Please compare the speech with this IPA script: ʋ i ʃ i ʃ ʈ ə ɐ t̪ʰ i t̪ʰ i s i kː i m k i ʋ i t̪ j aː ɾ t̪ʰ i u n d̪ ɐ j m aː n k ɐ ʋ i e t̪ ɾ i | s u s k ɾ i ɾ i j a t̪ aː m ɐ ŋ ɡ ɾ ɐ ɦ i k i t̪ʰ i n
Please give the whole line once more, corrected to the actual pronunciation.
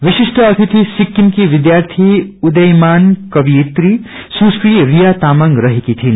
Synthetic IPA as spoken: ʋ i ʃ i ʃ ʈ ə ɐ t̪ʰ i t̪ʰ i s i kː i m k i ʋ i d̪ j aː ɾ t̪ʰ i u d̪ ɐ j m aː n k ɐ ʋ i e t̪ ɾ i | s u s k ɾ i ɾ i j a t̪ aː m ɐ ŋ ɡ ɾ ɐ ɦ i k i t̪ʰ i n